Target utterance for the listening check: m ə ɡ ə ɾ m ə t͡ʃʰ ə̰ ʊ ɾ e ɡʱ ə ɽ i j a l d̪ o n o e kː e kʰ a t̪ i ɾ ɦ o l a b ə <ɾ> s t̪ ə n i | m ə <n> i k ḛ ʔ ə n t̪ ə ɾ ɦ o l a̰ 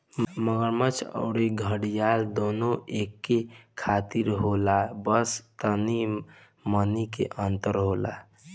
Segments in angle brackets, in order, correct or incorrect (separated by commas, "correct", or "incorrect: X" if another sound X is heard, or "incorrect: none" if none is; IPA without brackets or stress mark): incorrect: none, correct